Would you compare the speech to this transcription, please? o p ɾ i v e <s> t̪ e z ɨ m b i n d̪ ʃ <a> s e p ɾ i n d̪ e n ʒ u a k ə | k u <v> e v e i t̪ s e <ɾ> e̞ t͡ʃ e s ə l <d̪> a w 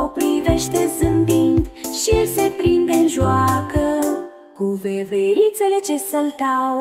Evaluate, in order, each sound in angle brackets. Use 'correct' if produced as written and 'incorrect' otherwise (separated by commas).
incorrect, incorrect, correct, incorrect, incorrect